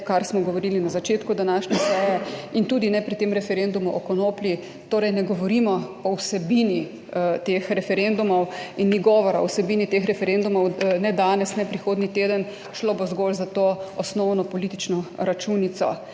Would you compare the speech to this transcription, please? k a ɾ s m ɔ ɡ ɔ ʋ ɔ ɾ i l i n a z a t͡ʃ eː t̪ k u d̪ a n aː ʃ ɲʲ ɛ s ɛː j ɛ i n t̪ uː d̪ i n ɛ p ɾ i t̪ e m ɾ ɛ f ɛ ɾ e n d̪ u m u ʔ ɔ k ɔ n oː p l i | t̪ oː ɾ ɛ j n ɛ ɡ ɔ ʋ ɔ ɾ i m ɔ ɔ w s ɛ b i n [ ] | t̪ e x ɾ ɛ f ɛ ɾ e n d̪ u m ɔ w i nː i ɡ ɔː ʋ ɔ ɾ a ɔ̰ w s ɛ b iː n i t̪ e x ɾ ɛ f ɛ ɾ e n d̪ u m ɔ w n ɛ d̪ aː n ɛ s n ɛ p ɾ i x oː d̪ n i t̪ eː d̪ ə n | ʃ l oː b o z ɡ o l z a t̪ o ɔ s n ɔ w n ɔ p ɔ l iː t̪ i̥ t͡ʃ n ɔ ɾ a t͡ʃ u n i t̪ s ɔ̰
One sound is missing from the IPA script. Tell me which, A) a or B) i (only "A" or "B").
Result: B